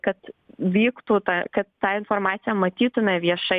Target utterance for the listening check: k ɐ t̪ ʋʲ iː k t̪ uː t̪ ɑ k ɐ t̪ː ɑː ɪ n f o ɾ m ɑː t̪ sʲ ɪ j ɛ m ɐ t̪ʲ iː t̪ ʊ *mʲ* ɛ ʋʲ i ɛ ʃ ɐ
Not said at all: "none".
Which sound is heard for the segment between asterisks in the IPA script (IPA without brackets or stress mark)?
mʲ